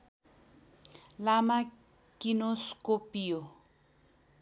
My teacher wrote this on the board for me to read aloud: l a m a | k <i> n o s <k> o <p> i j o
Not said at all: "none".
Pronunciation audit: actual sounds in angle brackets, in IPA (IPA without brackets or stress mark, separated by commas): i, k, p